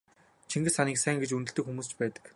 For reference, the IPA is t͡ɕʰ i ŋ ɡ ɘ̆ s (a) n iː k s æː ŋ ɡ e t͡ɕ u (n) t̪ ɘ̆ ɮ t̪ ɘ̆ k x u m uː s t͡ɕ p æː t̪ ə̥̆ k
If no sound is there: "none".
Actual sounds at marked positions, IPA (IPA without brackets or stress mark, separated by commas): a, n